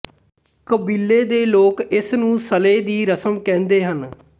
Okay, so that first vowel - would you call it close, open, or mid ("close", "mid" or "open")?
mid